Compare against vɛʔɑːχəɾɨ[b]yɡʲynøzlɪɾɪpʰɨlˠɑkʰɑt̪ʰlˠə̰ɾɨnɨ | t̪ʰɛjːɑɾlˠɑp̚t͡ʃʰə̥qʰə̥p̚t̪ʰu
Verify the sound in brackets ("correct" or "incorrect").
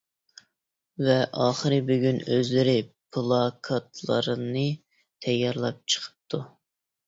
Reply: correct